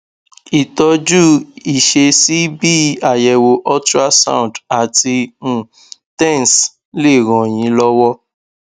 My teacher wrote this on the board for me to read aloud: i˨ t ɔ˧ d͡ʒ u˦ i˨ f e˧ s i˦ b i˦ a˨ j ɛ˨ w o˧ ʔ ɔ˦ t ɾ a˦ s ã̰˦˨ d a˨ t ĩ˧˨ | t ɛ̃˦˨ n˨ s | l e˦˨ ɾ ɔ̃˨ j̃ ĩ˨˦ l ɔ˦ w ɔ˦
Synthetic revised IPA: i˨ t ɔ˧ d͡ʒ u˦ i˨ ʃ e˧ s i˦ b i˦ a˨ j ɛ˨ w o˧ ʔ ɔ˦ t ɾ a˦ s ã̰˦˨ d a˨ t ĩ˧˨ | t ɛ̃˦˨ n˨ s | l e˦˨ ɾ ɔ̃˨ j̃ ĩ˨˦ l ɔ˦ w ɔ˦